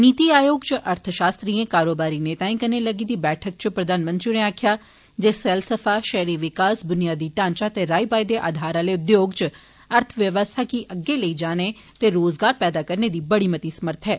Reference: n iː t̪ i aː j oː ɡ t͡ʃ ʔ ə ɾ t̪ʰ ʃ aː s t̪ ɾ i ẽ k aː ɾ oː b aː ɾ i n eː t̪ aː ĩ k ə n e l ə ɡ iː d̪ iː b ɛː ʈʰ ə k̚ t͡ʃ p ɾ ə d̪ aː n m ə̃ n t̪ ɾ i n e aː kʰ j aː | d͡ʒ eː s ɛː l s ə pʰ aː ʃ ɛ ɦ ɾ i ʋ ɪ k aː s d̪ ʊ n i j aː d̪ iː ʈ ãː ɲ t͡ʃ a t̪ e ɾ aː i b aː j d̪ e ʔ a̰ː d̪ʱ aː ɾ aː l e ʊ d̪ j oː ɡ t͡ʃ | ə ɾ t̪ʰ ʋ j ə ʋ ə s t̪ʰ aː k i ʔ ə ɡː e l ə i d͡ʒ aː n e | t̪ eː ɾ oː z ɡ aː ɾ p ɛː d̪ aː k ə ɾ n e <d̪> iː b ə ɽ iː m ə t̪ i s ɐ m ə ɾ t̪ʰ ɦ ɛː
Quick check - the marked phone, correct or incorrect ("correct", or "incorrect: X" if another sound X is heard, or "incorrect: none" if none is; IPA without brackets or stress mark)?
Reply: correct